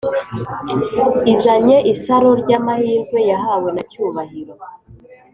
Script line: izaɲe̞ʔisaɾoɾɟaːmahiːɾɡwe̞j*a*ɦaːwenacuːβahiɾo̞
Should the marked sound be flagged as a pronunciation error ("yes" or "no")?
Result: no